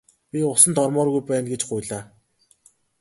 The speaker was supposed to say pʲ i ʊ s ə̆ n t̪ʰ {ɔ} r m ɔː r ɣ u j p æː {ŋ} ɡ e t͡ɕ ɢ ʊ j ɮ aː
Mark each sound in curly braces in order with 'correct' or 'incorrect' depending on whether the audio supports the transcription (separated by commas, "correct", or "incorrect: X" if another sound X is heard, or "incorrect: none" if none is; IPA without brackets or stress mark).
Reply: correct, incorrect: n